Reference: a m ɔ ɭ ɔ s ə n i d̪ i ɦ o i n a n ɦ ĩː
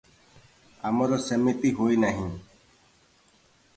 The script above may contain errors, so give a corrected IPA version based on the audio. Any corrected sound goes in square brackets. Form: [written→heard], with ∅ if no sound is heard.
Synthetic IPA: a m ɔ [ɭ→ɾ] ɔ s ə [n→m] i [d̪→t̪] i ɦ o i n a [n→∅] ɦ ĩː